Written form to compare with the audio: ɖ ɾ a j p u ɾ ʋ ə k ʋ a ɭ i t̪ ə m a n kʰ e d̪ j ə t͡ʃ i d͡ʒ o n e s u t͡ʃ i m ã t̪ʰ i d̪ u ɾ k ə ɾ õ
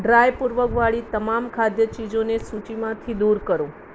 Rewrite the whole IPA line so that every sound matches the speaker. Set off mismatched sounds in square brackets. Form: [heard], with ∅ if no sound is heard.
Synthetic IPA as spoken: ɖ ɾ a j p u ɾ ʋ ə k ʋ a ɭ i t̪ ə m a [m] kʰ [a] d̪ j ə t͡ʃ i d͡ʒ o n e s u t͡ʃ i m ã t̪ʰ i d̪ u ɾ k ə ɾ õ